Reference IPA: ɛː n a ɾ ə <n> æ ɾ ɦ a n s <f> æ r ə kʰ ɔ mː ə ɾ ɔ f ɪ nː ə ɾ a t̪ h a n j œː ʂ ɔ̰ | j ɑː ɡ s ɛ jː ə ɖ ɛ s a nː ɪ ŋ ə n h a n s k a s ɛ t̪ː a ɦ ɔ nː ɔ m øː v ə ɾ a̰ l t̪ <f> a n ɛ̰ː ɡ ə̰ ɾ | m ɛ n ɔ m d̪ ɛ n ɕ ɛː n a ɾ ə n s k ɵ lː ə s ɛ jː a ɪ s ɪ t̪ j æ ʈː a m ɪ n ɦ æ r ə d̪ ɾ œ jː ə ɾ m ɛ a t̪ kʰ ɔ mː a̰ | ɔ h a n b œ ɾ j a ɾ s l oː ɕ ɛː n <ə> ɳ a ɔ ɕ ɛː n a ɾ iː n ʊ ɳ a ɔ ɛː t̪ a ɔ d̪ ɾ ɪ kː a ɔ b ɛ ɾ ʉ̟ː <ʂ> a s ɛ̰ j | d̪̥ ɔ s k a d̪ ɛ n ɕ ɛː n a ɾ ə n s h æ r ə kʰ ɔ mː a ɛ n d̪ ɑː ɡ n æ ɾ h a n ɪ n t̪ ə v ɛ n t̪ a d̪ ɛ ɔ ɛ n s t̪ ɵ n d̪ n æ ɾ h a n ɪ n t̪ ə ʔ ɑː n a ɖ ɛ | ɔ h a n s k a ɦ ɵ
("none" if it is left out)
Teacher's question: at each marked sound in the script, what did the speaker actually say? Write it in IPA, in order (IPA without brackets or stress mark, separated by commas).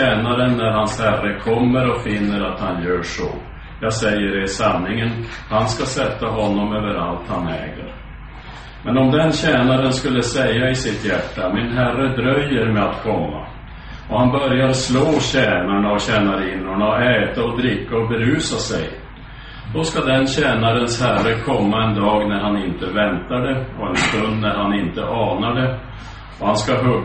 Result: nː, h, h, a, s